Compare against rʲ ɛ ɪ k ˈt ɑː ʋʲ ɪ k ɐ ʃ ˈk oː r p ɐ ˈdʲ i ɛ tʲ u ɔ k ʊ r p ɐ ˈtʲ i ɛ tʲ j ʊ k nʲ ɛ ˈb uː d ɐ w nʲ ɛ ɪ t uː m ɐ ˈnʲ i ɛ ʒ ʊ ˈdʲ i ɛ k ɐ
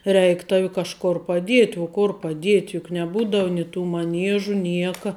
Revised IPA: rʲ ɛ ɪ k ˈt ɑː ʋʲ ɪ k ɐ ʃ ˈk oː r p ɐ ˈdʲ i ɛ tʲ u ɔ k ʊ r p ɐ ˈdʲ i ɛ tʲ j ʊ k nʲ ɛ ˈb uː d ɐ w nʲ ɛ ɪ t uː m ɐ ˈnʲ i ɛ ʒ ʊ ˈnʲ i ɛ k ɐ

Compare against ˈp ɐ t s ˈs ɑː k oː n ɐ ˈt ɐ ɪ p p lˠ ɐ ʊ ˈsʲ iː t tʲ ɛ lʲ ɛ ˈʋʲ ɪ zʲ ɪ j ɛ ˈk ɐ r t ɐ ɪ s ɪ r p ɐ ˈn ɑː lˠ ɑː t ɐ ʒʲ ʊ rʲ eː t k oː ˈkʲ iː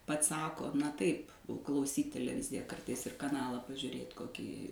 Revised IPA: ˈp ɐ t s ˈs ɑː k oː n ɐ ˈt ɐ ɪ p k lˠ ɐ ʊ ˈsʲ iː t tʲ ɛ lʲ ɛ ˈʋʲ ɪ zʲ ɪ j ɛ ˈk ɐ r t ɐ ɪ s ɪ r k ɐ ˈn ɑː lˠ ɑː p ɐ ʒʲ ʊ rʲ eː t k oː ˈkʲ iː

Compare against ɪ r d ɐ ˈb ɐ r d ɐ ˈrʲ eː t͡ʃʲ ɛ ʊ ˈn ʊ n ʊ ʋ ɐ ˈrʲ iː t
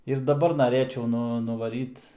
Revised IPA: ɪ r d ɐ ˈb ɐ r n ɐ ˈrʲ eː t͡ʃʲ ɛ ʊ ˈn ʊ n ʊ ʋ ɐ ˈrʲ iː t

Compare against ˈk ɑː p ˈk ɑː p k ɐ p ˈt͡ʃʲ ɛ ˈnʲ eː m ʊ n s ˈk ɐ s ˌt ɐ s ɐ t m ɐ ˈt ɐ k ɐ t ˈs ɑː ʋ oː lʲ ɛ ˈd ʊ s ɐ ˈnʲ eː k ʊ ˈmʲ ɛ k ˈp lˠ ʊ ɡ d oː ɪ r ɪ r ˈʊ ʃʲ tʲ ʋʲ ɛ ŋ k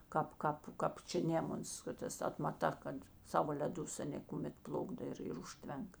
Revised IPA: ˈk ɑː p ˈk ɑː p k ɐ p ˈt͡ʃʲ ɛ ˈnʲ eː m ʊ n s ˈk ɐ t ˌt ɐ s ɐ t m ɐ ˈt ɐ k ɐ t ˈs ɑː ʋ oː lʲ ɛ ˈd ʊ s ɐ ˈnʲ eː k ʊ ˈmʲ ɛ t ˈp lˠ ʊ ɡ d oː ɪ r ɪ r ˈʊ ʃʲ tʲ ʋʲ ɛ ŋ k

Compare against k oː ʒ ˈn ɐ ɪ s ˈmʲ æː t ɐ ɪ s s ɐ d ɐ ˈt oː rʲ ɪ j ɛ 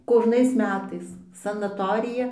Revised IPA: k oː ʒ ˈn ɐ ɪ s ˈmʲ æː t ɐ ɪ s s ɐ n ɐ ˈt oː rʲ ɪ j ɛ

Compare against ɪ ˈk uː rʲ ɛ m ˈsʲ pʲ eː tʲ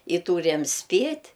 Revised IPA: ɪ ˈt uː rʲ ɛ m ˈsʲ pʲ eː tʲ

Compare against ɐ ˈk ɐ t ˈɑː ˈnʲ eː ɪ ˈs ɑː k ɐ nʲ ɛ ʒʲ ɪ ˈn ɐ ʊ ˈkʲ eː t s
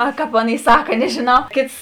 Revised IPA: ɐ ˈk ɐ p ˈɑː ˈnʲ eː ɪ ˈs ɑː k ɐ nʲ ɛ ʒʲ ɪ ˈn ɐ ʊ ˈkʲ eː t s

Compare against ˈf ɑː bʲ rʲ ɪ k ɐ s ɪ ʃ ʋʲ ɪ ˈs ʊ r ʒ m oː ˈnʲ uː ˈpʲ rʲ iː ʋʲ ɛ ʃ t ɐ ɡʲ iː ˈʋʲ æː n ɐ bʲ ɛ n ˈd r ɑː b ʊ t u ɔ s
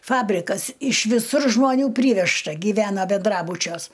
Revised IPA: ˈf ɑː bʲ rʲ ɪ k ɐ s ɪ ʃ ʋʲ ɪ ˈs ʊ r ʒ m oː ˈnʲ uː ˈpʲ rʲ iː ʋʲ ɛ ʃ t ɐ ɡʲ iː ˈʋʲ æː n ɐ bʲ ɛ n ˈd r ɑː b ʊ t͡ʃʲ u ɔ s

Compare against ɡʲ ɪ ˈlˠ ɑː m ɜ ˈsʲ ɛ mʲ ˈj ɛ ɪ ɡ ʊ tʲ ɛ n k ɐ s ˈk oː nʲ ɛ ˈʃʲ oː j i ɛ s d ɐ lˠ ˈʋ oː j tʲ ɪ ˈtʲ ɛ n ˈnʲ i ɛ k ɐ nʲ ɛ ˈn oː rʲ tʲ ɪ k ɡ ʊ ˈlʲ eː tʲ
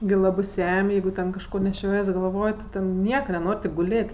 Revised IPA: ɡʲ ɪ ˈlˠ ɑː b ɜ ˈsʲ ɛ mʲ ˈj ɛ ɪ ɡ ʊ tʲ ɛ n k ɐ ʃ ˈk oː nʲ ɛ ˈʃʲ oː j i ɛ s ɡ ɐ lˠ ˈʋ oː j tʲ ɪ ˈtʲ ɛ n ˈnʲ i ɛ k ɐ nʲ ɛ ˈn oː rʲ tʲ ɪ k ɡ ʊ ˈlʲ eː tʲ

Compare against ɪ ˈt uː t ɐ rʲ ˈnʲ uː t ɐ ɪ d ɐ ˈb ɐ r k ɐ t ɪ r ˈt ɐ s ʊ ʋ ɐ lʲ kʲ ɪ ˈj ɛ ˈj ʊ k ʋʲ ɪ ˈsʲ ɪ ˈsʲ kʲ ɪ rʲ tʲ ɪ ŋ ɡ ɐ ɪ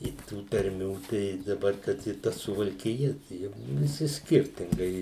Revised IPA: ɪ ˈt uː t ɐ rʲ ˈmʲ uː t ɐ ɪ d ɐ ˈb ɐ r k ɐ t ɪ ˈt ɐ s ʊ ʋ ɐ lʲ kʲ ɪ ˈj ɛ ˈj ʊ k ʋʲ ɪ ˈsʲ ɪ ˈsʲ kʲ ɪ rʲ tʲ ɪ ŋ ɡ ɐ ɪ

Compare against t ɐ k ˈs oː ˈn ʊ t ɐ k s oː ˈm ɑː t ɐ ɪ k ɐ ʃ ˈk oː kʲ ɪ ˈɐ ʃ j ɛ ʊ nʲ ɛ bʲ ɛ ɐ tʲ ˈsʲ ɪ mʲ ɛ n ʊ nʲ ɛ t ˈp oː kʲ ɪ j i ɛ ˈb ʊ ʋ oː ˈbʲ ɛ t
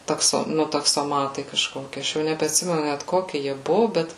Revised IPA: t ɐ k ˈs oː ˈn ʊ t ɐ k s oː ˈm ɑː t ɐ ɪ k ɐ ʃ ˈk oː kʲ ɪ ˈɐ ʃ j ɛ ʊ nʲ ɛ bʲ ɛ ɐ tʲ ˈsʲ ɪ mʲ ɛ n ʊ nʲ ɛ t ˈk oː kʲ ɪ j i ɛ ˈb ʊ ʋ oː ˈbʲ ɛ t

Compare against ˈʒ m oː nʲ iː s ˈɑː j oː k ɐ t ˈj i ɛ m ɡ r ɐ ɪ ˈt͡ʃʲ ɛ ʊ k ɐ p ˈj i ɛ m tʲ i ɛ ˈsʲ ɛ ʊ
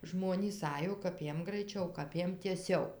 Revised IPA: ˈʒ m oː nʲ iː s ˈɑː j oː k ɐ p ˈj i ɛ m ɡ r ɐ ɪ ˈt͡ʃʲ ɛ ʊ k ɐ p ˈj i ɛ m tʲ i ɛ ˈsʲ ɛ ʊ

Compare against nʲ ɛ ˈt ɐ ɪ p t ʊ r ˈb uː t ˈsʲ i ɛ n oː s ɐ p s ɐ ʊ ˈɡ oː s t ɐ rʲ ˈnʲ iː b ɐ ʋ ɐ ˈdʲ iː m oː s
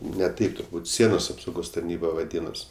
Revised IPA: nʲ ɛ ˈt ɐ ɪ p t ʊ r ˈb uː t ˈsʲ i ɛ n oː s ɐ p s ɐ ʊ ˈɡ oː s t ɐ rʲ ˈnʲ iː b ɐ ʋ ɐ ˈdʲ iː n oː s

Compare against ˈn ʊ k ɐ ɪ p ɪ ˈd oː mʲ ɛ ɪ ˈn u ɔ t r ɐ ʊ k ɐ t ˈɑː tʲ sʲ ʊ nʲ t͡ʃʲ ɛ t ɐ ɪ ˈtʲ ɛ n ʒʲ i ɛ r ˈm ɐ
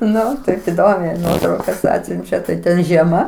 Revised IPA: ˈn ʊ t ɐ ɪ p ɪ ˈd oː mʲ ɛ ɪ ˈn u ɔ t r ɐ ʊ k ɐ s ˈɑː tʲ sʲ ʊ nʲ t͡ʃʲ ɛ t ɐ ɪ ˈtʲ ɛ n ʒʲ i ɛ ˈm ɐ

